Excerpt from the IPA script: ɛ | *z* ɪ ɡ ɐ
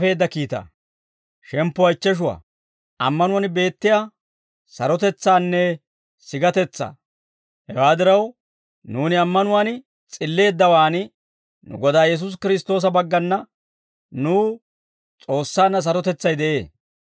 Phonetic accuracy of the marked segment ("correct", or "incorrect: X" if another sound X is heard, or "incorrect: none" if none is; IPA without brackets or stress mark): incorrect: s